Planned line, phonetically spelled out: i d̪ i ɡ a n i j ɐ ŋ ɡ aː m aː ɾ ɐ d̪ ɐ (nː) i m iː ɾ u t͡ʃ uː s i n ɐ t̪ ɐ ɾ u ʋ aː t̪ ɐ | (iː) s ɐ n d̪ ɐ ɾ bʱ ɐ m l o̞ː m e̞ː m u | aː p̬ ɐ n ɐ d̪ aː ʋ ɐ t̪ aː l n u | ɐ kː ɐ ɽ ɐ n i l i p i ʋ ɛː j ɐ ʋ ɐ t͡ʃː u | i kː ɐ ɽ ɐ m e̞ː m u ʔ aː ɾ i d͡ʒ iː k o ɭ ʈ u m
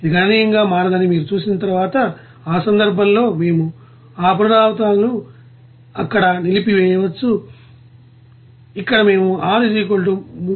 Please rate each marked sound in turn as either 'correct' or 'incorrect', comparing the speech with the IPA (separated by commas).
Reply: incorrect, incorrect